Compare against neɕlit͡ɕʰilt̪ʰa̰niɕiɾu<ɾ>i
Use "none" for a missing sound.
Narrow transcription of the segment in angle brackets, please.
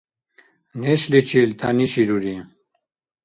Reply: ɾ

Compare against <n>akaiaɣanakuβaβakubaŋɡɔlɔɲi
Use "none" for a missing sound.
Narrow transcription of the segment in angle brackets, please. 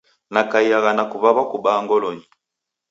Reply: n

